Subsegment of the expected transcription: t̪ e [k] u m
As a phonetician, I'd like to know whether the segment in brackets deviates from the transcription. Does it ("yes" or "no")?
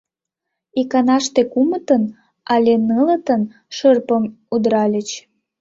no